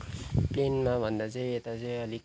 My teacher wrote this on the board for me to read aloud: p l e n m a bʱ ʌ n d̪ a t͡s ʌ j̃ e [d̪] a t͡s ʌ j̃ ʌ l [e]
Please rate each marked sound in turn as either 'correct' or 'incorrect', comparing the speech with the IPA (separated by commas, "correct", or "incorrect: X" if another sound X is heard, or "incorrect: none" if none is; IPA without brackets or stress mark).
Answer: incorrect: t̪, incorrect: i